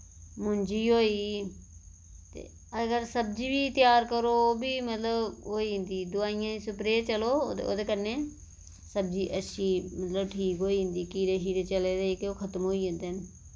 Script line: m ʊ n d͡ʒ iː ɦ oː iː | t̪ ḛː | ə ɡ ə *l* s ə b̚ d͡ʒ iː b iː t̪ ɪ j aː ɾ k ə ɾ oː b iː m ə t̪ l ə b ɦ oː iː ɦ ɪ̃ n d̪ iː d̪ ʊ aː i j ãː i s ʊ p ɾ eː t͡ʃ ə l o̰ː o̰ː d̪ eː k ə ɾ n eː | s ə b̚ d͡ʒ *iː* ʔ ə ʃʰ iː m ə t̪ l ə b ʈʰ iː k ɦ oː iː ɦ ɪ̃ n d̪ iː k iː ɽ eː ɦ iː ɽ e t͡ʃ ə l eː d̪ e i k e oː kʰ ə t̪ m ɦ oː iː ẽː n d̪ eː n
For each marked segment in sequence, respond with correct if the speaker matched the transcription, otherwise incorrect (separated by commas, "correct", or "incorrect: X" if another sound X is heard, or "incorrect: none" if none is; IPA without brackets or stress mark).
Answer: incorrect: ɾ, correct